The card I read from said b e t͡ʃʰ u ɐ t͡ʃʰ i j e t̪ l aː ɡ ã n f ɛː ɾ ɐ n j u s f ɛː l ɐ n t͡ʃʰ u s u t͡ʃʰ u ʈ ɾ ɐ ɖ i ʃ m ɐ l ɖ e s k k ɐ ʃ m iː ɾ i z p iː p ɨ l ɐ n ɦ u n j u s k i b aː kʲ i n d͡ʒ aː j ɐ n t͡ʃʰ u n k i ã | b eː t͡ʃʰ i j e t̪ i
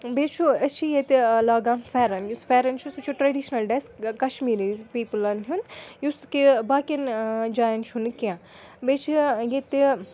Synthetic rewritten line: b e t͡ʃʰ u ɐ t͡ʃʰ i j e t̪ l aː ɡ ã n f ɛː ɾ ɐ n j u s f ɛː ɾ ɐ n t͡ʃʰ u s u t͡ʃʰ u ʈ ɾ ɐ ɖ i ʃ n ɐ l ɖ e s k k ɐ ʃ m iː ɾ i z p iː p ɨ l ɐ n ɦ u n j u s k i b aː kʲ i n d͡ʒ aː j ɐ n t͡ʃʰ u n k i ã | b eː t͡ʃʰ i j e t̪ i